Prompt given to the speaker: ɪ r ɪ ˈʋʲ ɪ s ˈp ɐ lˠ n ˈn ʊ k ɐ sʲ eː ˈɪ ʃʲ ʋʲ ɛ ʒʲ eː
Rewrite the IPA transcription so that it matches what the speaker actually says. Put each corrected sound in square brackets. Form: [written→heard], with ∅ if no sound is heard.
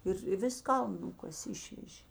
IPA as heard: ɪ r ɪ ˈʋʲ ɪ s [ˈp→ˈk] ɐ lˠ n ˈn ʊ k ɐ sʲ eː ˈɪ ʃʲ ʋʲ ɛ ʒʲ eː